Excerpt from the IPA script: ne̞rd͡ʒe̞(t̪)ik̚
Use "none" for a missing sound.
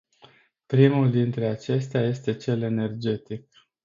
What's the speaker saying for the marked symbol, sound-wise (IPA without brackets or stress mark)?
t̪